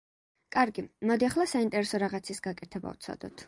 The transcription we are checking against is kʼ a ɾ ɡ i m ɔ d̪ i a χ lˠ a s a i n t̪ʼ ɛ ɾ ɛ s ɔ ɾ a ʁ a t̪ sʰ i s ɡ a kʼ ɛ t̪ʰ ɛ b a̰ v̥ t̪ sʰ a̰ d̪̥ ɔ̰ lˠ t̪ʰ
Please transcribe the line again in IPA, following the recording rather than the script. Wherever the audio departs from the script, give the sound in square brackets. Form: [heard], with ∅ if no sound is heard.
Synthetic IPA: kʼ a ɾ ɡ i m ɔ d̪ i a χ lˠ a s a i n t̪ʼ ɛ ɾ ɛ s ɔ ɾ a ʁ a t̪ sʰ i s ɡ a kʼ ɛ t̪ʰ ɛ b a̰ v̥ t̪ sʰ a̰ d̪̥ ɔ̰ [∅] t̪ʰ